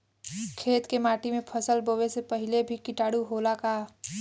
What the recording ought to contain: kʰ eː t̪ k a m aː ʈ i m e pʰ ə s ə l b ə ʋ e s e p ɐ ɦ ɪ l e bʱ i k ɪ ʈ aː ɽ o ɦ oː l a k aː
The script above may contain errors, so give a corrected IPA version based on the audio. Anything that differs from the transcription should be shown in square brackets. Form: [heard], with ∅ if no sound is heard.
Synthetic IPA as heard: kʰ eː t̪ k [e] m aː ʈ i m [ẽ] pʰ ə s ə l b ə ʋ e s e p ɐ ɦ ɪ l e bʱ i k ɪ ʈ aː ɽ [u] ɦ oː l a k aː